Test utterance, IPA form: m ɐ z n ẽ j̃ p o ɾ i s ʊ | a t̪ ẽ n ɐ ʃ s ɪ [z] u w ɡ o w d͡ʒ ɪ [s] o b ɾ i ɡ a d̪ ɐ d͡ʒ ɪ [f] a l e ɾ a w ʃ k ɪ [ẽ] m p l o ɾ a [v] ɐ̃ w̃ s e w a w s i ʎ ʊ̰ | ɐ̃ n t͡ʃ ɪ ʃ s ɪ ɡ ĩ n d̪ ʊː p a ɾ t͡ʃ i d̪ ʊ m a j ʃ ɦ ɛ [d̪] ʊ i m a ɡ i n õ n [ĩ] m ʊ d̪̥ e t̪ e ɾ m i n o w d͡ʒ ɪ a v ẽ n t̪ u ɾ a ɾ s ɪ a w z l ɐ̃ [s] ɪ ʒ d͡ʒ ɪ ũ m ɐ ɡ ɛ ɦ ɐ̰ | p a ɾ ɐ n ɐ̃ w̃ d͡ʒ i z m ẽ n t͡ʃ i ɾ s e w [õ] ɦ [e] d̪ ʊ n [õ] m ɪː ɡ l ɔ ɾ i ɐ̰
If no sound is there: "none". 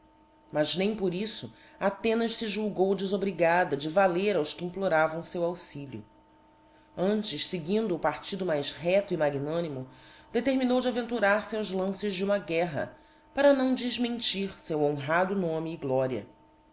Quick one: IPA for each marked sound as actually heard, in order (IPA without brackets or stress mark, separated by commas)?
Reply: ʒ, z, v, ĩ, v, t̪, i, s, õ, a, õ